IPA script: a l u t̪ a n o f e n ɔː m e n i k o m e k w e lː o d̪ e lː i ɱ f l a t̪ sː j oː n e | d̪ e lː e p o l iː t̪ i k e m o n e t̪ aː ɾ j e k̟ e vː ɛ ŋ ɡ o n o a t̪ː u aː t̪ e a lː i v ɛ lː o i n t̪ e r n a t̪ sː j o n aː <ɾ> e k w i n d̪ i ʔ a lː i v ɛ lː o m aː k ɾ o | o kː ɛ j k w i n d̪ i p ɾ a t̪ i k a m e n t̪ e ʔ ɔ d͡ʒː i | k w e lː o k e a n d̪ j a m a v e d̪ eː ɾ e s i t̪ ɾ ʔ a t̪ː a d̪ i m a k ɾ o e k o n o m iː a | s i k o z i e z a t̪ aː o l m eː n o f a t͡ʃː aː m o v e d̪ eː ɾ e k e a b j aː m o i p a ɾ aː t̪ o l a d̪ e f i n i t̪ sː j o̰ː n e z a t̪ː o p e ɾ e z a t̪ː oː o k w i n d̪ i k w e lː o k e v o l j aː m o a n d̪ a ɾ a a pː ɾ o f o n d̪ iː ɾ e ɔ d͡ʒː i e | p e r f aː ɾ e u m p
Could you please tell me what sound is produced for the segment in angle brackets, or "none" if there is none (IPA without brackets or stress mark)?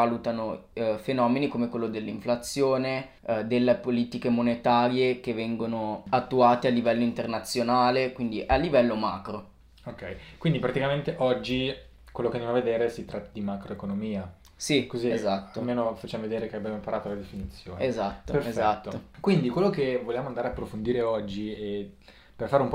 l